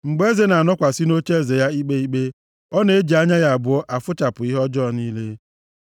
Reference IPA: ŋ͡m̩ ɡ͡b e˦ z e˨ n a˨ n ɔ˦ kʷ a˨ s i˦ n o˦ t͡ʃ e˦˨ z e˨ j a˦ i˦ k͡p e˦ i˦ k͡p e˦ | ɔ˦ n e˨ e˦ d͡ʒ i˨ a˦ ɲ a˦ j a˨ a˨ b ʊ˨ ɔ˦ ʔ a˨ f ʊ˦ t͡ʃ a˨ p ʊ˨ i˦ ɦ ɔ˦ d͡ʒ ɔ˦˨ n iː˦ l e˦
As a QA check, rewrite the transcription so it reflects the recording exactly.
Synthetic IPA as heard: ŋ͡m̩ ɡ͡b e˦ z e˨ n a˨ n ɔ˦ kʷ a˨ s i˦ n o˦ t͡ʃ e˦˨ z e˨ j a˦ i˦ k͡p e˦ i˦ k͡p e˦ | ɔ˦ n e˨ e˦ d͡ʒ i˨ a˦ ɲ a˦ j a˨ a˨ b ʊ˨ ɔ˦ ʔ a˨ f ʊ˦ t͡ʃ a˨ p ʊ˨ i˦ ɦ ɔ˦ d͡ʒ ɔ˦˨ n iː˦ l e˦